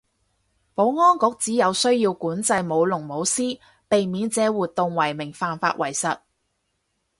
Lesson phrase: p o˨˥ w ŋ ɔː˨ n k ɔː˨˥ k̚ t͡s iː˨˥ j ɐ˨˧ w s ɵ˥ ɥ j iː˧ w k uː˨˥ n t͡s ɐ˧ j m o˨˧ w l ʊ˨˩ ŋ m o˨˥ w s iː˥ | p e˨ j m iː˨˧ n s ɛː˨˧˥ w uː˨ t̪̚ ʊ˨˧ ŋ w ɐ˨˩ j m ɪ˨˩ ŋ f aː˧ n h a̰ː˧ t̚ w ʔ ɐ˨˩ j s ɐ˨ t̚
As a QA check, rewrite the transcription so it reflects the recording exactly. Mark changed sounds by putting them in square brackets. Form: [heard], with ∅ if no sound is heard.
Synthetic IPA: p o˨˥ w ŋ [ɔː˥] n k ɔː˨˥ k̚ t͡s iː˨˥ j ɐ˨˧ w s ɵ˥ ɥ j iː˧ w k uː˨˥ n t͡s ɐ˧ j m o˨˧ w l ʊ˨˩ ŋ m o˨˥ w s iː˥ | p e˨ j m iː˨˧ n [t͡s] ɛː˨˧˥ w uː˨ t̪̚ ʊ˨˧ ŋ w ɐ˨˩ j m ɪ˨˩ ŋ f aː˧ n [f] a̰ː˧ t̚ w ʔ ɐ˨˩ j s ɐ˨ t̚

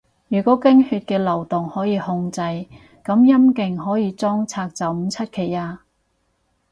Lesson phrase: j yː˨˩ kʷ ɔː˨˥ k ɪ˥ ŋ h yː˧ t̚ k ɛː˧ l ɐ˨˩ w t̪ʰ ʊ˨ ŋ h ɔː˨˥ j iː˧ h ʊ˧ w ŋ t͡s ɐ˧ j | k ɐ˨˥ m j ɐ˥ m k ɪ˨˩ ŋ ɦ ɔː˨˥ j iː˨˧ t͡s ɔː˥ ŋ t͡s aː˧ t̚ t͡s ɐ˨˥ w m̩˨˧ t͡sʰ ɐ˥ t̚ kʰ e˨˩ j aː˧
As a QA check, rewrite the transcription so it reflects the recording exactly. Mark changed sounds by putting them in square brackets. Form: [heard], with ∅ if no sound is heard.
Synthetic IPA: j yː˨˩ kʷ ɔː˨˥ k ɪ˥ ŋ h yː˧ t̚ k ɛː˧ l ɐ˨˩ w [t̪] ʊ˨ ŋ h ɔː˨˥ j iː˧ h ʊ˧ [∅] ŋ t͡s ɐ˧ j | k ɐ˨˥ m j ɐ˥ m k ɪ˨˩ ŋ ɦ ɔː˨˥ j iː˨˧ t͡s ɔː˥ ŋ [t͡sʰ] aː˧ [k̚] t͡s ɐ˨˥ w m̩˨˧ t͡sʰ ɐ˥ t̚ kʰ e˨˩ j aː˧

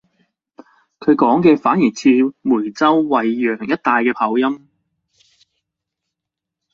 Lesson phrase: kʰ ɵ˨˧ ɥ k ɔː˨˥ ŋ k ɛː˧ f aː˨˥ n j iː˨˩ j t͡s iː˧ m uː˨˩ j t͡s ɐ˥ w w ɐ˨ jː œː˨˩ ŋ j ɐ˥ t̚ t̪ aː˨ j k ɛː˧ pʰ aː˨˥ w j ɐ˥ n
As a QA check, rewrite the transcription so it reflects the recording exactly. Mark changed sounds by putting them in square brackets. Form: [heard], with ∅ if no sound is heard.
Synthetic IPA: kʰ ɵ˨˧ ɥ k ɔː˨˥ ŋ k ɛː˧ f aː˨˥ n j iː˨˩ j [t͡sʰ] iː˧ m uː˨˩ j t͡s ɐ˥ w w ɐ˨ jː œː˨˩ ŋ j ɐ˥ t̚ t̪ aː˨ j k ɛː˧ pʰ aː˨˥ w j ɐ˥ [m]

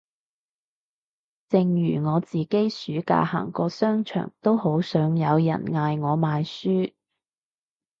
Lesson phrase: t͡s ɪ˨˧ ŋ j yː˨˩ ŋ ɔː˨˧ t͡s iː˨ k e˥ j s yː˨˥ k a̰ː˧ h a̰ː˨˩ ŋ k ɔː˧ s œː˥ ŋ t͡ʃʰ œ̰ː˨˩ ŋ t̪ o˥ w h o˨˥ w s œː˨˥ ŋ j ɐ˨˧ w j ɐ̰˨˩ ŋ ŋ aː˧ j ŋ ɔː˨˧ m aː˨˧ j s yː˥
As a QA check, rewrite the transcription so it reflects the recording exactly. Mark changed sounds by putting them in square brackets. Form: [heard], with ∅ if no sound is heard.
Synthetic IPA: t͡s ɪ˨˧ ŋ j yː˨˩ ŋ ɔː˨˧ t͡s iː˨ k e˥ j s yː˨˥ k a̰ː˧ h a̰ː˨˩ ŋ k ɔː˧ s œː˥ ŋ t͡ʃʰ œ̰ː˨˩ ŋ t̪ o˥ w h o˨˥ w s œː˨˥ ŋ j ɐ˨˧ w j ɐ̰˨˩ [n] ŋ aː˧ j ŋ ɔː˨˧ m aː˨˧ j s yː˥

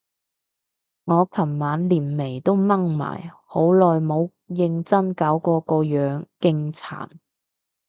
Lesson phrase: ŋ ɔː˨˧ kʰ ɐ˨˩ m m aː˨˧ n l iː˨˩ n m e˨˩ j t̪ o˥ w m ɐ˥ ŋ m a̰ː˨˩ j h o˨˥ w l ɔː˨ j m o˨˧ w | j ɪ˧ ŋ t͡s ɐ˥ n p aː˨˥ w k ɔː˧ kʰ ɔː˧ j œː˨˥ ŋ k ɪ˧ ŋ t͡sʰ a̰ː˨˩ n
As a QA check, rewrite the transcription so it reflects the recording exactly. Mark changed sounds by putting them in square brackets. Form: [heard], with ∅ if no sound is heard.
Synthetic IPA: ŋ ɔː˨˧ kʰ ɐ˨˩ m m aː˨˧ n l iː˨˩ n m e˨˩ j t̪ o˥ w m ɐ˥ ŋ m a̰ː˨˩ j h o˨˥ w l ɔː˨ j m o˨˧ w | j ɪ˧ ŋ t͡s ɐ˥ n [k] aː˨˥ w k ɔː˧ [k] ɔː˧ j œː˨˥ ŋ k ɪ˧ ŋ t͡sʰ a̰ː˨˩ n

